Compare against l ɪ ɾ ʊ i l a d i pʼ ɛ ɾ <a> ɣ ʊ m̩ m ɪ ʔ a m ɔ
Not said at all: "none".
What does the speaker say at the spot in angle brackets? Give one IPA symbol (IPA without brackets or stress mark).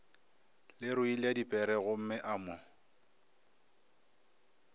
ɛ